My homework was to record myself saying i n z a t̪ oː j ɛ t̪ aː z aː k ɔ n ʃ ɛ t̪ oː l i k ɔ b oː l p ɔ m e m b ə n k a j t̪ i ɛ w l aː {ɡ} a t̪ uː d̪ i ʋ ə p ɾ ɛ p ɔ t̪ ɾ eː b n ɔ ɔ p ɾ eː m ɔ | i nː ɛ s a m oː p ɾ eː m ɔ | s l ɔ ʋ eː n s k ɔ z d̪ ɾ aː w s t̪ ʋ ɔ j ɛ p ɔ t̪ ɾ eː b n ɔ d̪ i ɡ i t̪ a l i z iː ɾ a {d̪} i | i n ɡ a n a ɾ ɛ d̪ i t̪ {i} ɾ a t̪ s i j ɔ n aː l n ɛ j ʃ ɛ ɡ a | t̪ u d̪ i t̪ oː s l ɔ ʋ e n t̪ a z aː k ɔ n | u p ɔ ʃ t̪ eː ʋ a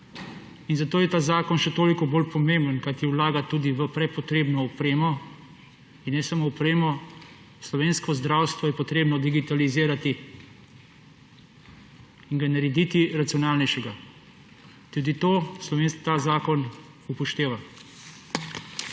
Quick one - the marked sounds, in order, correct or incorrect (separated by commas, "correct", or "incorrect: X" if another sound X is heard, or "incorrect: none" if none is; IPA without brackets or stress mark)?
correct, incorrect: t̪, correct